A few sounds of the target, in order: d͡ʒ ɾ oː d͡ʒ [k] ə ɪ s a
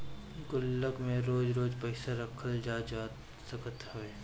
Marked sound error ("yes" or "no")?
yes